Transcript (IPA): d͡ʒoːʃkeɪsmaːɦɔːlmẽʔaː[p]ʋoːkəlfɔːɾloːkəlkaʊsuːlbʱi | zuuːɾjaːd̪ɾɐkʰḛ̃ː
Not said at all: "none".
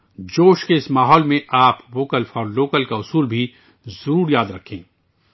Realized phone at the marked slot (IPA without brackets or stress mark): p